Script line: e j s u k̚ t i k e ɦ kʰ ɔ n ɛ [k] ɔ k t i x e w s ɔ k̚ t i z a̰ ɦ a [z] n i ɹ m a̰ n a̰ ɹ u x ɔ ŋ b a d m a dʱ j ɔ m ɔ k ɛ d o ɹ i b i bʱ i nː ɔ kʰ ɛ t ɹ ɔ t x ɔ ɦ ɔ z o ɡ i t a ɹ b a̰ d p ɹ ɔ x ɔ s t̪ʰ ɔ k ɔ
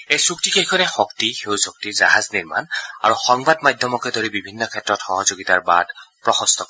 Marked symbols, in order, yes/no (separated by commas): no, yes